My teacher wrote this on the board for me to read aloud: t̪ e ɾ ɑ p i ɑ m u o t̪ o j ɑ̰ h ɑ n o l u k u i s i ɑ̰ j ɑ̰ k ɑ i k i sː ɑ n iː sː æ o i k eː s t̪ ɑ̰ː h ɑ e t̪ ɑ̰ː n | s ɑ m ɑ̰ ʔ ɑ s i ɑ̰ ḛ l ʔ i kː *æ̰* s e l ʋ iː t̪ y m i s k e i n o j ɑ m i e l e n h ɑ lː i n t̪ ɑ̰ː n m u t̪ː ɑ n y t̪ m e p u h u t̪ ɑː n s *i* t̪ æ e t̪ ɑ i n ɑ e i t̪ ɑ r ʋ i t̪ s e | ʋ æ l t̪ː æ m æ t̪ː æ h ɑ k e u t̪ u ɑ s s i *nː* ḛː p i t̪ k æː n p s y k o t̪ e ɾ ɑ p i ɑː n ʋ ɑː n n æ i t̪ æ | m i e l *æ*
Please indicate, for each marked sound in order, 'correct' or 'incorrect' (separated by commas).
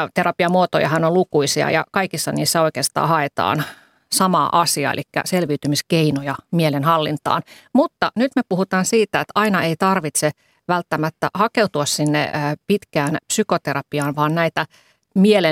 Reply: correct, incorrect, correct, incorrect